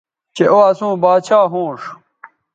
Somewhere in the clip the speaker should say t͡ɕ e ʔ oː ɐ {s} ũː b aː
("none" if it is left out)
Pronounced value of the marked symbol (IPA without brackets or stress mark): s